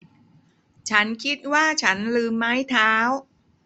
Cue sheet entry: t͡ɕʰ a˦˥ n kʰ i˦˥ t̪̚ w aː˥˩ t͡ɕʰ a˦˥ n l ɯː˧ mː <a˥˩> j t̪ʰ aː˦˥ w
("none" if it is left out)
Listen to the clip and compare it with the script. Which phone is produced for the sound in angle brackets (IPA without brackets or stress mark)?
a˦˥